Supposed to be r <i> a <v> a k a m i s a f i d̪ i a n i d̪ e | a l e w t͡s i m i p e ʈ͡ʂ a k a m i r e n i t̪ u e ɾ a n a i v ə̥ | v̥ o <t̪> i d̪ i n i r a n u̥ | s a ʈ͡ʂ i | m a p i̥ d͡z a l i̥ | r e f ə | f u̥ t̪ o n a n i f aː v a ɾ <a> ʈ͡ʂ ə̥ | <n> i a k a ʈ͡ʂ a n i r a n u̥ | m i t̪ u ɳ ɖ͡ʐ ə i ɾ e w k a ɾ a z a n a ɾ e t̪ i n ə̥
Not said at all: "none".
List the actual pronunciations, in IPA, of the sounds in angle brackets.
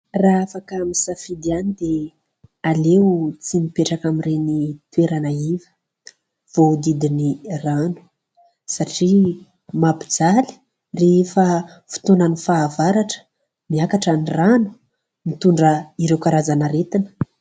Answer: a, f, d̪, a, m

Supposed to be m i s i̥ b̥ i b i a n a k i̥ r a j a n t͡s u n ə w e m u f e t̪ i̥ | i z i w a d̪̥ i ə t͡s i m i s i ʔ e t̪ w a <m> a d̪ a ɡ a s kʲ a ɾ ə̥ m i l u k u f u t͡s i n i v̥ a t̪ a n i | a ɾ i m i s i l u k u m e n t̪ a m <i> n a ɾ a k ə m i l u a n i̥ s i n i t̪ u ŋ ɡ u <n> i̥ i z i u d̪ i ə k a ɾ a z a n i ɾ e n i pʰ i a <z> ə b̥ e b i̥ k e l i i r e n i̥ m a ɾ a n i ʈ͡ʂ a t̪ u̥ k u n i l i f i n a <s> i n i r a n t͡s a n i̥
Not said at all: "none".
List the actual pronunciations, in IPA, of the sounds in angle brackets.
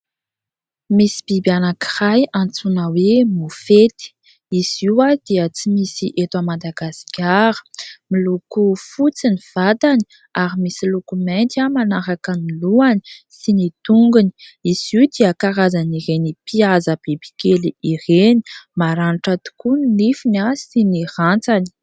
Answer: m, a, n, z, s

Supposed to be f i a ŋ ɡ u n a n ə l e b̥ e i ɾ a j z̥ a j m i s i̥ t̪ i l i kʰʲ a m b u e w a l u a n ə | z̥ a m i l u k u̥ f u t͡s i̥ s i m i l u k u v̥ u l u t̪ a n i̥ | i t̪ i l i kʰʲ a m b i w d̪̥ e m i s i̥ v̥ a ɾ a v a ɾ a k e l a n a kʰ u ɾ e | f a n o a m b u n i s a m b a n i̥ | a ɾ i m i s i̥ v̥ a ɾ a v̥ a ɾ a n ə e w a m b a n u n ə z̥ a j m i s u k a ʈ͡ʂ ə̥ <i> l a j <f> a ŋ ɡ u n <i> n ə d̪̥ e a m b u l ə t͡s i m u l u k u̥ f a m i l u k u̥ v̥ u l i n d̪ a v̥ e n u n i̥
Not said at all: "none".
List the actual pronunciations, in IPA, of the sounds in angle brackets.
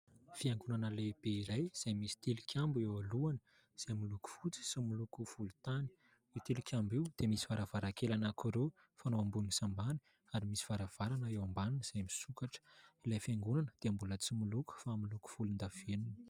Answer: i, f, a

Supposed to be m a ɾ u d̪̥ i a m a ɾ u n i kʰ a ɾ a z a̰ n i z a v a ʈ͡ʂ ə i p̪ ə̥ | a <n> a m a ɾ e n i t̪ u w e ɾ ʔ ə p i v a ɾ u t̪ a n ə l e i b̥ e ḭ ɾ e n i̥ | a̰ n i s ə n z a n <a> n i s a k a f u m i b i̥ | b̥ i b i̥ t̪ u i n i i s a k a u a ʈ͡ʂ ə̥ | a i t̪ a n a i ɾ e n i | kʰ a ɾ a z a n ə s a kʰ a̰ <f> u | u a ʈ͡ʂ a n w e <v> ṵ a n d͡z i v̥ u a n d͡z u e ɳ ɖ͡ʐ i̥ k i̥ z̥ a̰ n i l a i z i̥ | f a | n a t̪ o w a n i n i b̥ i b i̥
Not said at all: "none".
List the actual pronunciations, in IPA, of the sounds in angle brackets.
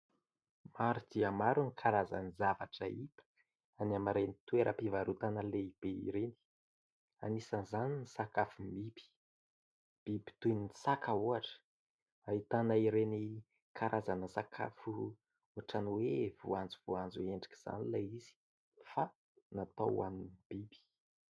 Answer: n, i, f, v

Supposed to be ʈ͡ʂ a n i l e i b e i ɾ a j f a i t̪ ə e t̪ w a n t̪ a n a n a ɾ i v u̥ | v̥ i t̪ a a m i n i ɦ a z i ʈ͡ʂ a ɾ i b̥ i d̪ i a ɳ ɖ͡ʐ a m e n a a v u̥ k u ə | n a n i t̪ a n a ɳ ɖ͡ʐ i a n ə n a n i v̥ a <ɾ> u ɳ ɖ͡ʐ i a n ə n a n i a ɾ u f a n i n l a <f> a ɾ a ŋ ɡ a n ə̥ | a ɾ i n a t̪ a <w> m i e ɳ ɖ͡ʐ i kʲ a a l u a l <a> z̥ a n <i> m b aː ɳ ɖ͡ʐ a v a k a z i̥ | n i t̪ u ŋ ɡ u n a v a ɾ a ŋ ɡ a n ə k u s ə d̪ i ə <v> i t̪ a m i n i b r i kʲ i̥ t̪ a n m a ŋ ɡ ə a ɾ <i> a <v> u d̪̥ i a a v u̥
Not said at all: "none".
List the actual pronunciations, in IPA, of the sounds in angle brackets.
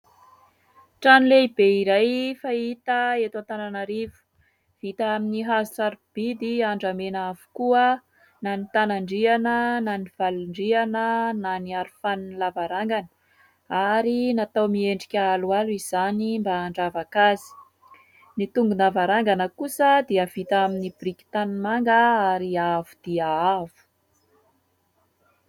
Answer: l, v, w, i, i, v, i, v

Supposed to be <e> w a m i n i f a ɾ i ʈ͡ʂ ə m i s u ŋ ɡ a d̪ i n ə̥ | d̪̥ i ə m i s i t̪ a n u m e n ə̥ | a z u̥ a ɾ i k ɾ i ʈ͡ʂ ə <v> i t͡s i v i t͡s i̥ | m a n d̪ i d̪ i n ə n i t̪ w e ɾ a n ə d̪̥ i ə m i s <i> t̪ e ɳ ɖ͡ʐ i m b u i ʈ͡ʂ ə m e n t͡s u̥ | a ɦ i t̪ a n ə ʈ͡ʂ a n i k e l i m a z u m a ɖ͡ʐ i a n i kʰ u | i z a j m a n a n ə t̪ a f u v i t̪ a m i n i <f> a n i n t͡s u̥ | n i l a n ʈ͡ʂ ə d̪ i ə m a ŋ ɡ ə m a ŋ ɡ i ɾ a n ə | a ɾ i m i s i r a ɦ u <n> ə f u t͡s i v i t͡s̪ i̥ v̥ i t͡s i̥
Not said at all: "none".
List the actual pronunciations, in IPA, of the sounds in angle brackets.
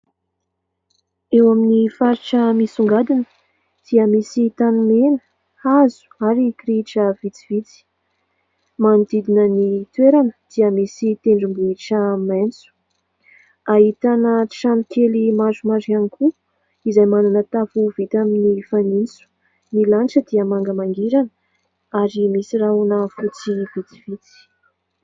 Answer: e, v, i, f, n

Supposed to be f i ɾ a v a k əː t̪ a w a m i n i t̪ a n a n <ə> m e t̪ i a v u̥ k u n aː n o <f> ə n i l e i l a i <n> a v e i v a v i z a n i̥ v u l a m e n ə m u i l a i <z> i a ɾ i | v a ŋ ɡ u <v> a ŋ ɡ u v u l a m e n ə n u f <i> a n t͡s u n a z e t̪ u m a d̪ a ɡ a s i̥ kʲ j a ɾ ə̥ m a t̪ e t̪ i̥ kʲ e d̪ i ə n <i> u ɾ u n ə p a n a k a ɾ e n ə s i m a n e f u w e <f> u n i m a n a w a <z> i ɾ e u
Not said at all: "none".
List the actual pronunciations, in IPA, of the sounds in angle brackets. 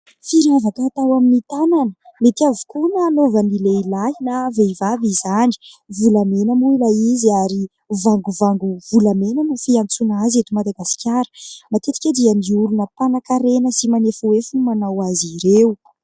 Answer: ə, v, n, z, v, i, i, f, z

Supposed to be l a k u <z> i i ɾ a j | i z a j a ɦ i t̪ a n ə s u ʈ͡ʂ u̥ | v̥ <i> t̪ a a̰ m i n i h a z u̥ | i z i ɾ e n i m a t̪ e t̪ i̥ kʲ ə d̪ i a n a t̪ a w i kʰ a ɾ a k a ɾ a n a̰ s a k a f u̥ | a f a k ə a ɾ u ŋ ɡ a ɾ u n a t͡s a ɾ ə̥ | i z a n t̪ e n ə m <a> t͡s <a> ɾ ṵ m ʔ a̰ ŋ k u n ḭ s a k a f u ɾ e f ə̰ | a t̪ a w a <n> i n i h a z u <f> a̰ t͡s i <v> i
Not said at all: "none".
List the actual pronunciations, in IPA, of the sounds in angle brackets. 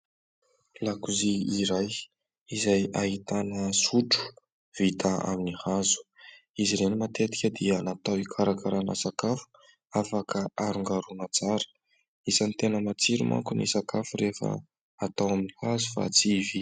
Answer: z, i, a, i, m, f, v

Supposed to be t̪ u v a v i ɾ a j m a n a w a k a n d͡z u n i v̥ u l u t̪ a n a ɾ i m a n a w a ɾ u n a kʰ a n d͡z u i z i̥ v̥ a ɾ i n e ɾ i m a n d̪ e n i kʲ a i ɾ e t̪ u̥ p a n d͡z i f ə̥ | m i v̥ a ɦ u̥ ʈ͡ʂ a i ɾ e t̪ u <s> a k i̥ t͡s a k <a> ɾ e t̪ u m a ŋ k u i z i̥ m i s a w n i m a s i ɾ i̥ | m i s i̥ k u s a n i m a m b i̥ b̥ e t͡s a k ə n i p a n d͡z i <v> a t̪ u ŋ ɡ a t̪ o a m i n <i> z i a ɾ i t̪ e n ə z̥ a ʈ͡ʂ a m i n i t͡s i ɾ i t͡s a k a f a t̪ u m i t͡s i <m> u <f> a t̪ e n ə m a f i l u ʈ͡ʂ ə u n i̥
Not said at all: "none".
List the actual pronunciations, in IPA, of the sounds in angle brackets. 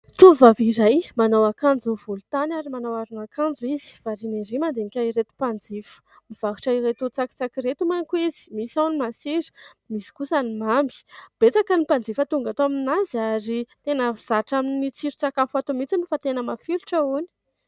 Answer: t͡s, i, f, a, n, f

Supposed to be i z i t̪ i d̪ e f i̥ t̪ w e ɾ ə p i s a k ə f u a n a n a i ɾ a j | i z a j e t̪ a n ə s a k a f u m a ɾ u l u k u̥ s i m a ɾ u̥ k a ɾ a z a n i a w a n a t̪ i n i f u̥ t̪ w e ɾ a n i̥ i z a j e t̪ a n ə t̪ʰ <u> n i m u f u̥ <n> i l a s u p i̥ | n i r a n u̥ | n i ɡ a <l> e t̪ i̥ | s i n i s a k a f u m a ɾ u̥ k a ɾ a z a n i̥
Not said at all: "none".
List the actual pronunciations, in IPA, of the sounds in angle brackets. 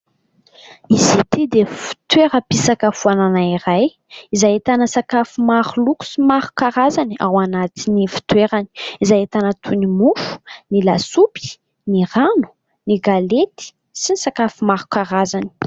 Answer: u, n, l

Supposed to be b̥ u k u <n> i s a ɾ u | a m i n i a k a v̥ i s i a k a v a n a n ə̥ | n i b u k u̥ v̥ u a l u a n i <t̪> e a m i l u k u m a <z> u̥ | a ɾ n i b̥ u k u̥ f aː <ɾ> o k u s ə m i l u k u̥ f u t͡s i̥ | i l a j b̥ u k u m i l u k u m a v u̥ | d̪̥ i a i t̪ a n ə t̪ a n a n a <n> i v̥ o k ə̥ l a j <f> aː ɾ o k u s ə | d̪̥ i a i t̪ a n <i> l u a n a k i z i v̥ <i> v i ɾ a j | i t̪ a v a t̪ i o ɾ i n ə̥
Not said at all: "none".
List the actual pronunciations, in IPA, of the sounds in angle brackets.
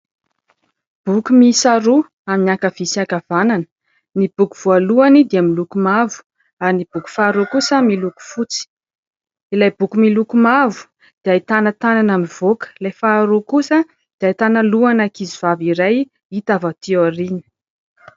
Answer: m, d̪, v, ɾ, m, f, a, a

